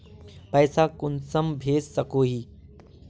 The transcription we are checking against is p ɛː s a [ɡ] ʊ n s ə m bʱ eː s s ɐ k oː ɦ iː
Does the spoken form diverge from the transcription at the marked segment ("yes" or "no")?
yes